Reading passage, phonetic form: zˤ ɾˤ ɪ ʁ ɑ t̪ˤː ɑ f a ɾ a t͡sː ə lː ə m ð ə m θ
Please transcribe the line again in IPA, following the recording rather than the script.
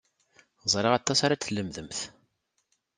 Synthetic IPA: zˤ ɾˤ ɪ ʁ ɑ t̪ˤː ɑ s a ɾ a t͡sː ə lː ə m ð ə m θ